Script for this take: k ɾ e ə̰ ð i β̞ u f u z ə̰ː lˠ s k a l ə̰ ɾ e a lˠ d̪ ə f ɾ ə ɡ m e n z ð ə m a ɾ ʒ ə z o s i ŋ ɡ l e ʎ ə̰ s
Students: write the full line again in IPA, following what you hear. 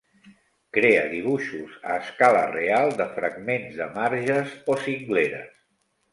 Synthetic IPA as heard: k ɾ e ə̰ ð i β̞ u ʃ u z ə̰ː s k a l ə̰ r e a lˠ d̪ ə f ɾ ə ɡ m e n z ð ə m a ɾ ʒ ə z o s i ŋ ɡ l e ɾ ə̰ s